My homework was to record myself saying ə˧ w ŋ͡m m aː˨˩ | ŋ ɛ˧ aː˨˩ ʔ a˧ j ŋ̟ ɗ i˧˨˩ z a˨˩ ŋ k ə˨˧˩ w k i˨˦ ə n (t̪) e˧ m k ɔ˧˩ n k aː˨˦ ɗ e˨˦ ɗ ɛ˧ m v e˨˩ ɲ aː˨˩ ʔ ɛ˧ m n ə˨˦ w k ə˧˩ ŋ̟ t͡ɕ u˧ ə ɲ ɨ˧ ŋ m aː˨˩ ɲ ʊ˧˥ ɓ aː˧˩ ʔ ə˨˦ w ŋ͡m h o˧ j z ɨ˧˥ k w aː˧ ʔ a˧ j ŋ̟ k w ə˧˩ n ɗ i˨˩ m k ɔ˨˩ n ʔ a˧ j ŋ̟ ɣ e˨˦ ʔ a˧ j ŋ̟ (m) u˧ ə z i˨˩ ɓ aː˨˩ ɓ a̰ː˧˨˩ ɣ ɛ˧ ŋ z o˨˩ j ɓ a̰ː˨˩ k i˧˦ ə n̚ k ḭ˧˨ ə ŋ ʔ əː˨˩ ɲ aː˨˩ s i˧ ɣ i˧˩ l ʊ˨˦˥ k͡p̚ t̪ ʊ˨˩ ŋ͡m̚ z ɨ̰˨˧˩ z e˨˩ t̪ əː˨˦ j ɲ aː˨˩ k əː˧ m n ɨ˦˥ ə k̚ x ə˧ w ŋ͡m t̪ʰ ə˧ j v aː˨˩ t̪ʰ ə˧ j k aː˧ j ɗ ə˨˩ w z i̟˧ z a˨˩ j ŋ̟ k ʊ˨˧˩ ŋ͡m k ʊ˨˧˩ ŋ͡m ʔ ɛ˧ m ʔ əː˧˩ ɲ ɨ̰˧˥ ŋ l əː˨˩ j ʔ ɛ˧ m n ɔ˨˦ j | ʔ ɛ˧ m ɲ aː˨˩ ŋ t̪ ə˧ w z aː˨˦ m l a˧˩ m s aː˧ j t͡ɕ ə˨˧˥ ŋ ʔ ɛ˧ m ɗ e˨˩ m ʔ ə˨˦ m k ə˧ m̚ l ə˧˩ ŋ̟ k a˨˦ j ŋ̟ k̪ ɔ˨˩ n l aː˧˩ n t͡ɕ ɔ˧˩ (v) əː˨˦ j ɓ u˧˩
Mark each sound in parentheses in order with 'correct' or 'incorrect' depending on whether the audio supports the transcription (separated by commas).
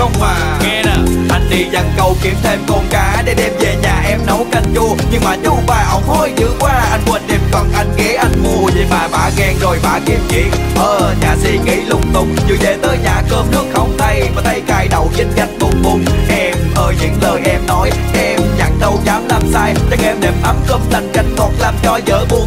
incorrect, correct, incorrect